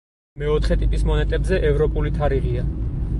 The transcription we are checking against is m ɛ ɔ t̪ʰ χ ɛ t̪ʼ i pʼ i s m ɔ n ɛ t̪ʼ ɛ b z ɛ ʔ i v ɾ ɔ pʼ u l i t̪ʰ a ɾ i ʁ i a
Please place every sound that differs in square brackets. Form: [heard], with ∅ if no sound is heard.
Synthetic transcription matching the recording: m ɛ ɔ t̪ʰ χ ɛ t̪ʼ i pʼ i s m ɔ n ɛ t̪ʼ ɛ b z ɛ ʔ [ɛ] v ɾ ɔ pʼ u l i t̪ʰ a ɾ i ʁ i a